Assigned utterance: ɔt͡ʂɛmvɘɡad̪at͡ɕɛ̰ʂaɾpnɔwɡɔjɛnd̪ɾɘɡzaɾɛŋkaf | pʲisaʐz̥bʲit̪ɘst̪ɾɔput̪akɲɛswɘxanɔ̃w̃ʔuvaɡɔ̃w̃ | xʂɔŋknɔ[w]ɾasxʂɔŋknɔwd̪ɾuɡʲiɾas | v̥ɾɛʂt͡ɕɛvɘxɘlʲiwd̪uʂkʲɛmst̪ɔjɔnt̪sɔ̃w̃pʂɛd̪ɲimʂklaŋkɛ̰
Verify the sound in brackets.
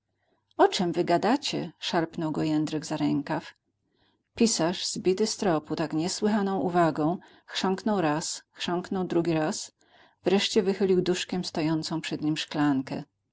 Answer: correct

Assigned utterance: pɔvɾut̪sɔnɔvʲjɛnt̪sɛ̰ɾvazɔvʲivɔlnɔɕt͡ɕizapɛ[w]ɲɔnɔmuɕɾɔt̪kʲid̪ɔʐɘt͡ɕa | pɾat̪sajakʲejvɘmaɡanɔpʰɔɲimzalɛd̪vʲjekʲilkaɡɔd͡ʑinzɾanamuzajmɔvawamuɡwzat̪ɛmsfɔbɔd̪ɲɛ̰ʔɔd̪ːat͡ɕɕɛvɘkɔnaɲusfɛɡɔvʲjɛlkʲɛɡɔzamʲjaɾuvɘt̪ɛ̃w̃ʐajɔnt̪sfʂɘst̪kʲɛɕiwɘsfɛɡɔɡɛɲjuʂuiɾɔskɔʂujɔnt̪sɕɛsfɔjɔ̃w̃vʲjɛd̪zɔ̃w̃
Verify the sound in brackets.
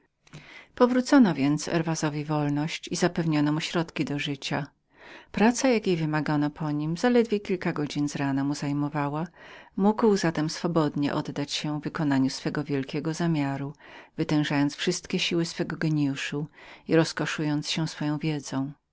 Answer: incorrect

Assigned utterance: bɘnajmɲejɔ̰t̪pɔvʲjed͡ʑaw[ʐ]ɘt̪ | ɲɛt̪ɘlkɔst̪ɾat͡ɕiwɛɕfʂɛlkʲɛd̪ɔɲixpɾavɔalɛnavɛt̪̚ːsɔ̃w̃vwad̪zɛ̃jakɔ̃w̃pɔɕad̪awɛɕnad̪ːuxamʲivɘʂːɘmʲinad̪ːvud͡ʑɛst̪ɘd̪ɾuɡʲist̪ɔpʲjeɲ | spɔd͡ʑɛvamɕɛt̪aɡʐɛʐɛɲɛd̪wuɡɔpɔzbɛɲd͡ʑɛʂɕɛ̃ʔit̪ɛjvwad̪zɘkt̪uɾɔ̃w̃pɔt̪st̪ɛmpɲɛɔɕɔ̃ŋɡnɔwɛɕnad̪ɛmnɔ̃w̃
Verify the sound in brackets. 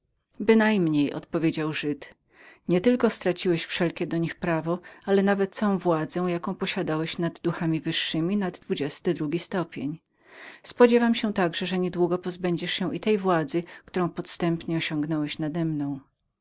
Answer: correct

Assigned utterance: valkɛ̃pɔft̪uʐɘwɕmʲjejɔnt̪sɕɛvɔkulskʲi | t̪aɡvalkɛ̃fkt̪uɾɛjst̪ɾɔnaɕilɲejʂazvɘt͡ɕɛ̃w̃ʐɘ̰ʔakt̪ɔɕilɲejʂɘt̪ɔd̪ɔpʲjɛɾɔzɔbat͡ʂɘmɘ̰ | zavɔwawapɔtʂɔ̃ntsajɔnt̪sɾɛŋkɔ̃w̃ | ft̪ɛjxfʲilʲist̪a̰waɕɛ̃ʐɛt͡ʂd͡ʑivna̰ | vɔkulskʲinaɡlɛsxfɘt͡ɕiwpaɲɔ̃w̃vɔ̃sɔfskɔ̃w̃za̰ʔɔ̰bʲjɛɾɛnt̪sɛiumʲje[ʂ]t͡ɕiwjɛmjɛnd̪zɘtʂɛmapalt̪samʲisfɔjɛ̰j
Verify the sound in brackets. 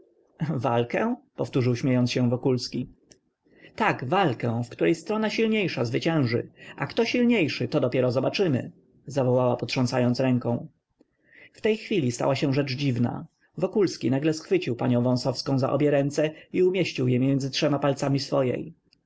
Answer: incorrect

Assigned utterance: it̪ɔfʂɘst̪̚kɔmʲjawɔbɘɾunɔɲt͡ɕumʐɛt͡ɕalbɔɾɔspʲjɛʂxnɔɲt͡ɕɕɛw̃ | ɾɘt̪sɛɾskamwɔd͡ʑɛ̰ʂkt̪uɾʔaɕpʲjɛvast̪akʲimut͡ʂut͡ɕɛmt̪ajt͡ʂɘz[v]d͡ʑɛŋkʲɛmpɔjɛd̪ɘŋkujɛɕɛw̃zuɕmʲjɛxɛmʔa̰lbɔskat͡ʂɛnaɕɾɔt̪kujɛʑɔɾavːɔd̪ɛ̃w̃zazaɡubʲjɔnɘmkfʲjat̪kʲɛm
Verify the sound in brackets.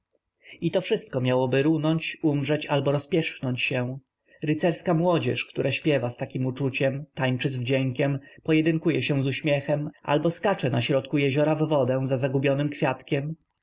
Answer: correct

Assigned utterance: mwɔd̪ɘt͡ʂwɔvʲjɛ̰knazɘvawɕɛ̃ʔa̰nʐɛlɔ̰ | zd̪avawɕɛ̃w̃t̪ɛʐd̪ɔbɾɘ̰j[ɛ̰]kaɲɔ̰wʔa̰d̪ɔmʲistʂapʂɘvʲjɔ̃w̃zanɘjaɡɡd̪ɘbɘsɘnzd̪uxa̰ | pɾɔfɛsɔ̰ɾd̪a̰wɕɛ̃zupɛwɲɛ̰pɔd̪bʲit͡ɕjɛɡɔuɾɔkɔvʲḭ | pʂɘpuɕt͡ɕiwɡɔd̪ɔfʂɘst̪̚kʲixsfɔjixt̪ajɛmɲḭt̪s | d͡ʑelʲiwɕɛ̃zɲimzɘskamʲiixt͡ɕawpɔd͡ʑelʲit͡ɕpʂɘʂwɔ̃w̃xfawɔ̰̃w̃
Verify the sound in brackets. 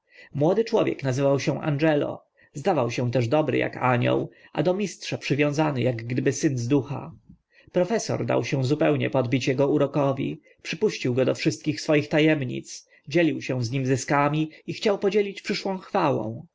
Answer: incorrect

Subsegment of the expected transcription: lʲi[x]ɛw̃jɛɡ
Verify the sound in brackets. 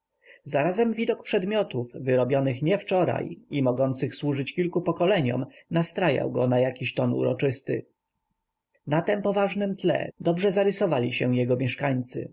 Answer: incorrect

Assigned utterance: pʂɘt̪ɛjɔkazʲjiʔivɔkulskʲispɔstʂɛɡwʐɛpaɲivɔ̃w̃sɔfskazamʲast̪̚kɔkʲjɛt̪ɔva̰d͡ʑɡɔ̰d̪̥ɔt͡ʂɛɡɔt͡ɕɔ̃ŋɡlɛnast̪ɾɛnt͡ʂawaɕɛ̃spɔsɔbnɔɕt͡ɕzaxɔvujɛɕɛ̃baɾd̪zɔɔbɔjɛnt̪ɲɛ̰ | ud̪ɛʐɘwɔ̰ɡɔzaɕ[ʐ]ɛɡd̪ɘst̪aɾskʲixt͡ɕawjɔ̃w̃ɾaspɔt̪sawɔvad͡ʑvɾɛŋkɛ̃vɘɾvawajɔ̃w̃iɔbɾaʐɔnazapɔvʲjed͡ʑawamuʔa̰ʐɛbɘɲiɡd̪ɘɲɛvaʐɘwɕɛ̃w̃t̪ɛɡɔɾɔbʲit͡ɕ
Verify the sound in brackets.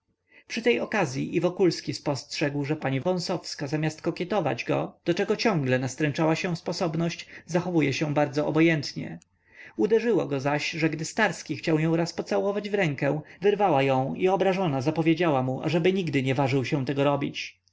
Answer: correct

